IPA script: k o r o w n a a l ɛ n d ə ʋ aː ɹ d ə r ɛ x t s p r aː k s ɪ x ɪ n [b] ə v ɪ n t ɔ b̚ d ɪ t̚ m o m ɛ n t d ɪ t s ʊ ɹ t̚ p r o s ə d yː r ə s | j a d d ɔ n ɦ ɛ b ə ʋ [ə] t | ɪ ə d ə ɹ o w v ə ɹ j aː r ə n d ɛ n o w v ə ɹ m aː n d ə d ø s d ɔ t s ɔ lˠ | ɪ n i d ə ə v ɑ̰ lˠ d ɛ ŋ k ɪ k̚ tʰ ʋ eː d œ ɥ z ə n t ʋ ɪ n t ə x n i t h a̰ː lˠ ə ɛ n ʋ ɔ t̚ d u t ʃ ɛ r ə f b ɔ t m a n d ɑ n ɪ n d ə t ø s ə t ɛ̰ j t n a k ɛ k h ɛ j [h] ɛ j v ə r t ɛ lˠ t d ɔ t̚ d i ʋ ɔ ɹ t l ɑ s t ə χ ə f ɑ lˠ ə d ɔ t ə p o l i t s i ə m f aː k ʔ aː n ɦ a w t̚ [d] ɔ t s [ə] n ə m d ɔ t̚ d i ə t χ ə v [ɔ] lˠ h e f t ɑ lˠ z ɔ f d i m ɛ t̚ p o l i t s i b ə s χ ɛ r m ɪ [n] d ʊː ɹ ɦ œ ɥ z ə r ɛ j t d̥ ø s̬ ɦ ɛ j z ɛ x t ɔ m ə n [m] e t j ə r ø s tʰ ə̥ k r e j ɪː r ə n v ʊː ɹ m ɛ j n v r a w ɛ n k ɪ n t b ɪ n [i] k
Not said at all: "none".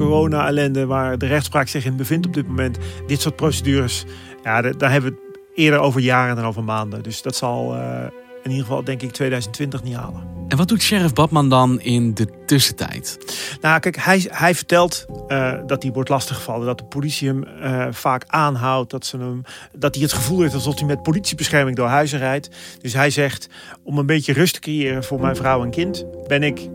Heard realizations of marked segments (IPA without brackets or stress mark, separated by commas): b, ə, h, d, ə, u, ŋ, b, ɪ